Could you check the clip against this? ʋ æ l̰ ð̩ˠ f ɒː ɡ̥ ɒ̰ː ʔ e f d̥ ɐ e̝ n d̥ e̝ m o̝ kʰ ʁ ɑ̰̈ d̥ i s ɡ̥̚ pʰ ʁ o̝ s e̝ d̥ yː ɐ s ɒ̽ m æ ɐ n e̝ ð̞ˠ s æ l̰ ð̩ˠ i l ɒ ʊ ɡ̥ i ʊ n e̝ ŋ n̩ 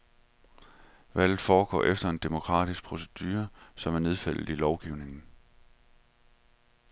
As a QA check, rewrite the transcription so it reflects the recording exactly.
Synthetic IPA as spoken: ʋ æ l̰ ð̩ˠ f ɒː ɡ̥ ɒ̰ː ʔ e f d̥ ɐ e̝ n d̥ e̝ m o̝ kʰ ʁ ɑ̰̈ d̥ i s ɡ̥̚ pʰ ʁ o̝ s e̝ d̥ yː ɐ s ɒ̽ m æ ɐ n e̝ ð̞ˠ f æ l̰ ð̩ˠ i l ɒ ʊ ɡ̥ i ʊ n e̝ ŋ n̩